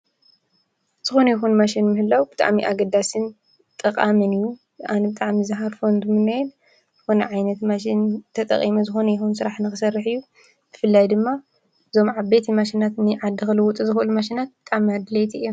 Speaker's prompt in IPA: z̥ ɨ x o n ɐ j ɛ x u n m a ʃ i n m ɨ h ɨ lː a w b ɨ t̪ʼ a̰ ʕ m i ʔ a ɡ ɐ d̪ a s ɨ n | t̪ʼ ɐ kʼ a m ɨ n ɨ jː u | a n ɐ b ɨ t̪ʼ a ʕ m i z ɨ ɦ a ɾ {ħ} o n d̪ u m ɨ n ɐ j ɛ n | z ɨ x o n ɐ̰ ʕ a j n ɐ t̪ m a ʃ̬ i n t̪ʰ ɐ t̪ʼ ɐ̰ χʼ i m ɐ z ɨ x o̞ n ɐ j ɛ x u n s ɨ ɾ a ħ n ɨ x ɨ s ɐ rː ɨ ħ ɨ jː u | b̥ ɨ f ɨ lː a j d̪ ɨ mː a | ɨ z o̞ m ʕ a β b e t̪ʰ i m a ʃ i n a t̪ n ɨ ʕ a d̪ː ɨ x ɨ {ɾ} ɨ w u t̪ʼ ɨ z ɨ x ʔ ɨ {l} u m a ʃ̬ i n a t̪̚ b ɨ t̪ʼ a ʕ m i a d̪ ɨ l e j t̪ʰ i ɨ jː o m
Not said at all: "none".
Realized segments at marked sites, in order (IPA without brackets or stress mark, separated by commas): f, l, l